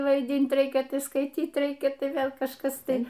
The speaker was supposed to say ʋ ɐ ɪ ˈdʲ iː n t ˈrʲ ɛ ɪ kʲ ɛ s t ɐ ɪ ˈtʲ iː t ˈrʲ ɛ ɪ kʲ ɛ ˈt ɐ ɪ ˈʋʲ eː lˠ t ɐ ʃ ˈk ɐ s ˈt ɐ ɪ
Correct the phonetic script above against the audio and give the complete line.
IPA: ʋ ɐ ɪ ˈdʲ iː n t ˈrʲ ɛ ɪ kʲ ɛ s k ɐ ɪ ˈtʲ iː t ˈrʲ ɛ ɪ kʲ ɛ ˈt ɐ ɪ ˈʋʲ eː lˠ k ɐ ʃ ˈk ɐ s ˈt ɐ ɪ